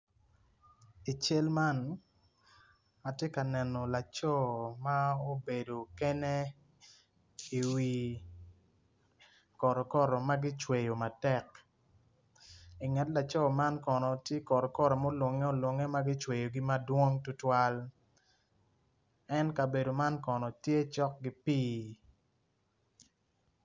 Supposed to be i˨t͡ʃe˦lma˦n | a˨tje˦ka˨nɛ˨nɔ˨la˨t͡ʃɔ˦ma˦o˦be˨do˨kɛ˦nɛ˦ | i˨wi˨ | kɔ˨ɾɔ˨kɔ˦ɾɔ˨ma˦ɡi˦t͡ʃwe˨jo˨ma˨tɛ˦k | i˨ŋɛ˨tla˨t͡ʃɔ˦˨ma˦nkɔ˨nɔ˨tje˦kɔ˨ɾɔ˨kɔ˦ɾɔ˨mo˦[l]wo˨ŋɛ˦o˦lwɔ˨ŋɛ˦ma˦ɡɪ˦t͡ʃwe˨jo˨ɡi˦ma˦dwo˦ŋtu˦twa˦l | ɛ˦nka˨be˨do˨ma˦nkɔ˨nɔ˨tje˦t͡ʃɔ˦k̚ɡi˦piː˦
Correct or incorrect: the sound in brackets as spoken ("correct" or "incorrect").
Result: correct